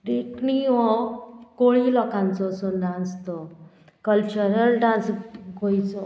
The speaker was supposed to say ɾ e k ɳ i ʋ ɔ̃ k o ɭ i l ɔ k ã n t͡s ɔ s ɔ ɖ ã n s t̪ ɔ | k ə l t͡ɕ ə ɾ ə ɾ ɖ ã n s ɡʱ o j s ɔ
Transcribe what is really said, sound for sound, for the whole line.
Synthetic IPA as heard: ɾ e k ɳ i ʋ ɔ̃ k o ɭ i l ɔ k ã n t͡s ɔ s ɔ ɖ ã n s t̪ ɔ | k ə l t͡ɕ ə ɾ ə l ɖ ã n s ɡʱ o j t͡s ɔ